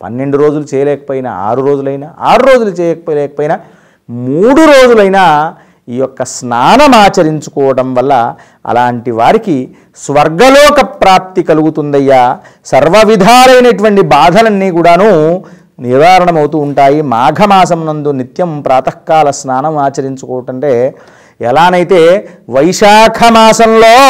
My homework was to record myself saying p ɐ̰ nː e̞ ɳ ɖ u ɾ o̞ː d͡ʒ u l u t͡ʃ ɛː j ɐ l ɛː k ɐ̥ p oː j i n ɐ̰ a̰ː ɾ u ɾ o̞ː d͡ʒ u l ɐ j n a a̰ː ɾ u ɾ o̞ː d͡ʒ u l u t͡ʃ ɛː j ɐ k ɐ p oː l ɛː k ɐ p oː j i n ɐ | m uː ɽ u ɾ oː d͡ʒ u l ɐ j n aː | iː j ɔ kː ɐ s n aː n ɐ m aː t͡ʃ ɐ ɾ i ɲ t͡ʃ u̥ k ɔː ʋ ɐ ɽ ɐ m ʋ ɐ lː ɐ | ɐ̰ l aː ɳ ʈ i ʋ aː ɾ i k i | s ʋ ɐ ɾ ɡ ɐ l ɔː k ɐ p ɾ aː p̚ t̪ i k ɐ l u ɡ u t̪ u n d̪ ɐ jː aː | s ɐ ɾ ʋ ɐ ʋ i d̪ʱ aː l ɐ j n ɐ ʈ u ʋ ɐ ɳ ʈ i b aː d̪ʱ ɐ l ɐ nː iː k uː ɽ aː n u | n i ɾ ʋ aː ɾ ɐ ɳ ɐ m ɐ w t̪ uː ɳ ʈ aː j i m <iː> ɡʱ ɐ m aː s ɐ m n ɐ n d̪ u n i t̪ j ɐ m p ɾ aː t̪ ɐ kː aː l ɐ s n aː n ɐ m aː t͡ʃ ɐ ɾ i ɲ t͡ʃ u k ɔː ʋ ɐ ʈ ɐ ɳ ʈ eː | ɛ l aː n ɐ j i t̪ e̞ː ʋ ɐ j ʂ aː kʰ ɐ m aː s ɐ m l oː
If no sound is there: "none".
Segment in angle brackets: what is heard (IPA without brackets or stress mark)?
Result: aː